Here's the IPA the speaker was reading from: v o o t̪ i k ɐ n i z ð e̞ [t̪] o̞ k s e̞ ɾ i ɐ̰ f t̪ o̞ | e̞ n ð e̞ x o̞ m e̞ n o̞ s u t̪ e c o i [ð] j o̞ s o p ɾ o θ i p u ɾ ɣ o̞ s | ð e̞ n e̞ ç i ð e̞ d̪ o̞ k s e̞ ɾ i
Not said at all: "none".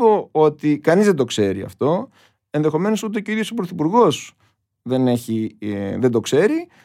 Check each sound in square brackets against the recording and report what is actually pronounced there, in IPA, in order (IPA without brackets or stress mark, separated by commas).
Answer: d̪, ð